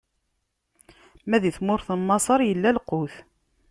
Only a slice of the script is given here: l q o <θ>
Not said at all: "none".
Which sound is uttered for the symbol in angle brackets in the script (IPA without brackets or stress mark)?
θ